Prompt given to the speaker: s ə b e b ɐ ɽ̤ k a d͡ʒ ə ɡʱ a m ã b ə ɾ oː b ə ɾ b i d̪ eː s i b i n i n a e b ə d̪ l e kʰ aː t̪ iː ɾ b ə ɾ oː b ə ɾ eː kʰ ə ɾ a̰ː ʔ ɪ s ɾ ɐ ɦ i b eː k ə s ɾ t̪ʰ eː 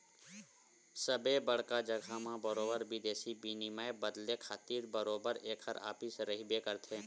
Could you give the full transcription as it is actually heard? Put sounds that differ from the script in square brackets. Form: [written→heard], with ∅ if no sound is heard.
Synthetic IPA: s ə b e b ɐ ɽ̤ k a d͡ʒ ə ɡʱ a m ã b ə ɾ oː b ə ɾ b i d̪ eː s i b i n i [n→m] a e b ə d̪ l e kʰ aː t̪ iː ɾ b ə ɾ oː b ə ɾ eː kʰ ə ɾ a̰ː [ʔ→p] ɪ s ɾ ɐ ɦ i b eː k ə [s→∅] ɾ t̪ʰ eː